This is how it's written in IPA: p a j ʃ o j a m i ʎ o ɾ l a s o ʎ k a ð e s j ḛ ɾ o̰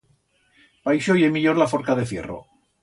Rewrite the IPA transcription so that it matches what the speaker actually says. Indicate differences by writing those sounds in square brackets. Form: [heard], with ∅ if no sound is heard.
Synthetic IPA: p a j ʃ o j [e] m i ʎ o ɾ l a [f] o [ɾ] k a ð e [f] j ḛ [r] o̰